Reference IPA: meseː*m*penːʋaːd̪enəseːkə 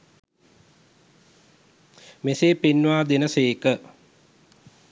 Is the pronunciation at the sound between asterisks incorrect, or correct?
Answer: incorrect: none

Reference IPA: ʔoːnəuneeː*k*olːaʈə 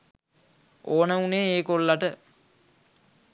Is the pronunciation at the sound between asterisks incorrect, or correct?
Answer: correct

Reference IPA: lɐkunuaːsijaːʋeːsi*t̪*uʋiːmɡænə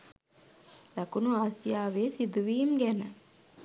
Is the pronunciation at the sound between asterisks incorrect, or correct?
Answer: incorrect: d̪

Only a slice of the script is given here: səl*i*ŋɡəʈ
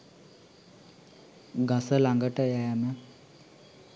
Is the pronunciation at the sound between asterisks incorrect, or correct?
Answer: incorrect: a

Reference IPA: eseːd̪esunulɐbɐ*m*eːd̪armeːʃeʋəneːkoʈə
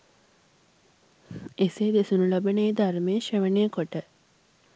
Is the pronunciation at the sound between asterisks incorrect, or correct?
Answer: incorrect: n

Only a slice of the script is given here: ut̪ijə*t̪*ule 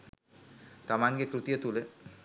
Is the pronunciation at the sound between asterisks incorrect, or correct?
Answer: correct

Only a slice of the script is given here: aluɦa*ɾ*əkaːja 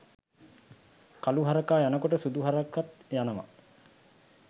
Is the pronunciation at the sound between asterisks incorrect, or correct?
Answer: correct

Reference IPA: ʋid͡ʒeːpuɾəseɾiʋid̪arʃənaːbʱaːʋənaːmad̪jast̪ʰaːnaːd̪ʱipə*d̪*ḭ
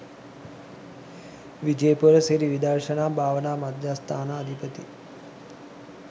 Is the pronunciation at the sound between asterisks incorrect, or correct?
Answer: incorrect: t̪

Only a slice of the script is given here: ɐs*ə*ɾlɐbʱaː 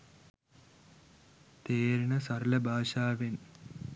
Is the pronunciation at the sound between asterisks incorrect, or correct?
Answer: incorrect: ɐ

